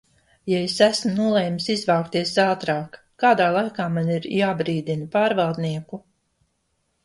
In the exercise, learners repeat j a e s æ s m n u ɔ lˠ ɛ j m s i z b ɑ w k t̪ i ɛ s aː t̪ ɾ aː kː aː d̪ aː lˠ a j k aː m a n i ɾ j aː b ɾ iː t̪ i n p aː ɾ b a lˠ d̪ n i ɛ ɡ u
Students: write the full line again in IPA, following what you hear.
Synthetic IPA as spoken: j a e s æ s m n u ɔ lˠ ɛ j m s i z v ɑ w k t̪ i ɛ s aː t̪ ɾ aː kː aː d̪ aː lˠ a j k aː m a n i ɾ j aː b ɾ iː d̪ i n p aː ɾ v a lˠ d̪ n i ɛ k u